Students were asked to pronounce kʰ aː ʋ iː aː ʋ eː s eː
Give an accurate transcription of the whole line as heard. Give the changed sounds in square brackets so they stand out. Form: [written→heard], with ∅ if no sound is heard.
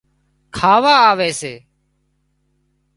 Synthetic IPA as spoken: kʰ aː ʋ [iː→aː] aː ʋ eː s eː